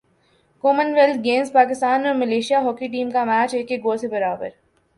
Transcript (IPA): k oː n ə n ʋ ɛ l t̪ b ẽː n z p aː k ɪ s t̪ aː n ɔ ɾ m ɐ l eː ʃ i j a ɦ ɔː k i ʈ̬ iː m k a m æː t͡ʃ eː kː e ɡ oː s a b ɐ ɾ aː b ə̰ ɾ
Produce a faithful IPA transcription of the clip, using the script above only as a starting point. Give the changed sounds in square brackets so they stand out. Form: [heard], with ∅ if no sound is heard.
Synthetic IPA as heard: k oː [m] ə n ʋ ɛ l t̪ [ɡ] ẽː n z p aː k ɪ s t̪ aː n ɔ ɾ m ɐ l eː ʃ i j a ɦ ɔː k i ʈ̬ iː m k a m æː t͡ʃ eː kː e ɡ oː s [e] b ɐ ɾ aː b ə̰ ɾ